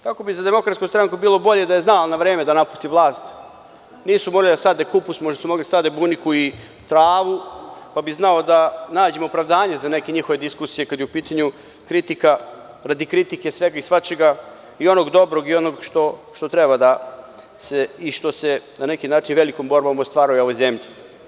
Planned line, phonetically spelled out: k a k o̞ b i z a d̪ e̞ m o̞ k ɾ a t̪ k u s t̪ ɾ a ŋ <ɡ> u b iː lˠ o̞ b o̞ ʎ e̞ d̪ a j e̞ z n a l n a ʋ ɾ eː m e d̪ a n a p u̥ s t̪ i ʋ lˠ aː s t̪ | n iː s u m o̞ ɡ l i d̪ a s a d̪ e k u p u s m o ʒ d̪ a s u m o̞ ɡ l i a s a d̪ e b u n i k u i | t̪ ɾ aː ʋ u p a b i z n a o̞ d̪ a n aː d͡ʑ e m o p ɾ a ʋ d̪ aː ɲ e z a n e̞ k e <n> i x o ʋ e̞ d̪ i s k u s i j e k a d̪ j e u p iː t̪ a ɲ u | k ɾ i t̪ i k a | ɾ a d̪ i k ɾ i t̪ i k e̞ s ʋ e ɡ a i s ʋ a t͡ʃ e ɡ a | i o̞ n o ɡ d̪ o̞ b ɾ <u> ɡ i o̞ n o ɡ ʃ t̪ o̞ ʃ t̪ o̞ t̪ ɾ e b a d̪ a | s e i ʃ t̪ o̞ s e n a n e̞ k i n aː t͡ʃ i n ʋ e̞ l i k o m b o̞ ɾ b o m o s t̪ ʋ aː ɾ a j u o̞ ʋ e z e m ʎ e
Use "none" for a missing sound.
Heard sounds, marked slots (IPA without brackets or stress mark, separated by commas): k, ɲ, o